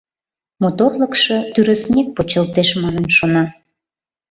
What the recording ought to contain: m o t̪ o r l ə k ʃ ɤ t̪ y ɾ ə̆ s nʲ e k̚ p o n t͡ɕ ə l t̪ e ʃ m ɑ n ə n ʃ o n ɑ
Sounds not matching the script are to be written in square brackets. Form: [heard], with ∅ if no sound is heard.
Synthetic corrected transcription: m o t̪ o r l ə k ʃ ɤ t̪ y ɾ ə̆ s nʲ e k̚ p o [∅] t͡ɕ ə l t̪ e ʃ m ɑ n ə n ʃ o n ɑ